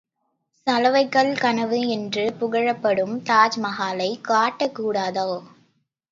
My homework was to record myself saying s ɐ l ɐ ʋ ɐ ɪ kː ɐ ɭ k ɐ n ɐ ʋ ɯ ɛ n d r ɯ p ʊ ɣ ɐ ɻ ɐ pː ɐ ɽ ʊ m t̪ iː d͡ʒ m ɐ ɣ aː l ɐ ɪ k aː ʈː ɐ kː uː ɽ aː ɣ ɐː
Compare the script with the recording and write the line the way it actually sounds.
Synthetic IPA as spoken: s ɐ l ɐ ʋ ɐ ɪ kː ɐ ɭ k ɐ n ɐ ʋ ɯ ɛ n d r ɯ p ʊ ɣ ɐ ɻ ɐ pː ɐ ɽ ɯ m t̪ aː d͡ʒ m ɐ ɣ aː l ɐ ɪ k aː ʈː ɐ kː uː ɽ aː ð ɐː